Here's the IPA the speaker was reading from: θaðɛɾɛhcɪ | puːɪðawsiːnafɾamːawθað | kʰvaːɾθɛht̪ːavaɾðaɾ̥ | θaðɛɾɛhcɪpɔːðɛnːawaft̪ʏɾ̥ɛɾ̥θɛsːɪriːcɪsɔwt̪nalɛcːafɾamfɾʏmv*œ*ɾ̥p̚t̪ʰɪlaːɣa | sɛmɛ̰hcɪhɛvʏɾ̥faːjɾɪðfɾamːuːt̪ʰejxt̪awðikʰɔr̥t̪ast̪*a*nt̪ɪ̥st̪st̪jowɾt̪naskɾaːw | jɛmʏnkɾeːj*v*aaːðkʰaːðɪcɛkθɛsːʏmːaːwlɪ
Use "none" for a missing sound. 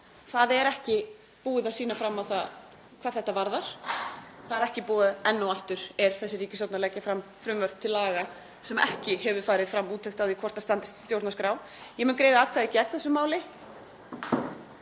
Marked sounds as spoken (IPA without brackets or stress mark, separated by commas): œ, a, ð